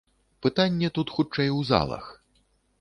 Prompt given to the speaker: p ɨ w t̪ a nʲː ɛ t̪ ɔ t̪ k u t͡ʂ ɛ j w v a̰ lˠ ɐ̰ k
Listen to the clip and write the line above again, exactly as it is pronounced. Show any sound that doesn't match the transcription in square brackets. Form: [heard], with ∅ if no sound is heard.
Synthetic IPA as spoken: p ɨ [∅] t̪ a nʲː ɛ t̪ [u] t̪ [x] u t͡ʂ ɛ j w [z] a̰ lˠ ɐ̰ [x]